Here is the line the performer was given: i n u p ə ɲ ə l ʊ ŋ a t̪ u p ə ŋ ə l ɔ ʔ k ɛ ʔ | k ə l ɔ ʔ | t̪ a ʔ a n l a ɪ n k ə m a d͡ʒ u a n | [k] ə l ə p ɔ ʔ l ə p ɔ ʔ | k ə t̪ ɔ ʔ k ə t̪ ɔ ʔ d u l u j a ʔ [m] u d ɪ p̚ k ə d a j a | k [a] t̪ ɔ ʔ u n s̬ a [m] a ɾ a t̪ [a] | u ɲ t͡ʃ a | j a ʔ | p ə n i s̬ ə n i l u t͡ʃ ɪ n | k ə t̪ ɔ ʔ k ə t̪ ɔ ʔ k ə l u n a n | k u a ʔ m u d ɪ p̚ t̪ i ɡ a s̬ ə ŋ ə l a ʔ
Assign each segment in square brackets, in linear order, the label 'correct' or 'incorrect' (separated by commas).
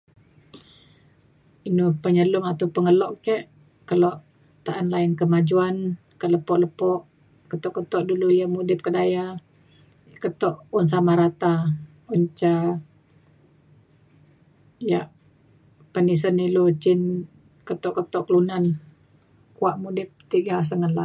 correct, correct, incorrect, correct, correct